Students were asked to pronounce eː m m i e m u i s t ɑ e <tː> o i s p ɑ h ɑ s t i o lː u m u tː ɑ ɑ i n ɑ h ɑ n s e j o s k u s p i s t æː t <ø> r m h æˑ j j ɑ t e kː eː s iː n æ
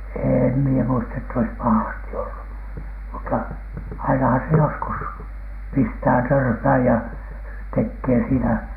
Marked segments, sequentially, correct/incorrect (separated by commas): correct, correct